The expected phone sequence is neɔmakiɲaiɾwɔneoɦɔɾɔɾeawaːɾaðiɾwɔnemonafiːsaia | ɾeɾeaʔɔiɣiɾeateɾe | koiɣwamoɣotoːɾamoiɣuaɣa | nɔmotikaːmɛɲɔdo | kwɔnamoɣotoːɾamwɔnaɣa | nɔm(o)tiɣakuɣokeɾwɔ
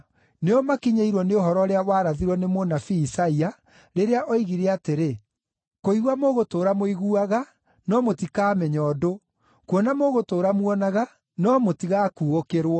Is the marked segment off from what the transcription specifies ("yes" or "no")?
no